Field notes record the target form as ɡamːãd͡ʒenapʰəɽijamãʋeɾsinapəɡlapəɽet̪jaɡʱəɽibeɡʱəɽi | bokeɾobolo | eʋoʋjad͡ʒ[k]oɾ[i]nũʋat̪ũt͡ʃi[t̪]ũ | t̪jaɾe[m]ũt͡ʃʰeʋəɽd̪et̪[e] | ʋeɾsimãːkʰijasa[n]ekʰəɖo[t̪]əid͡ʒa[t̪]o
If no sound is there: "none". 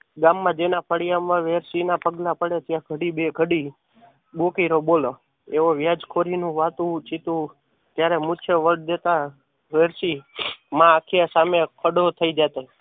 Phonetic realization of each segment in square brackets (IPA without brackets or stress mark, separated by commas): kʰ, i, t̪, m, a, m, t̪ʰ, t̪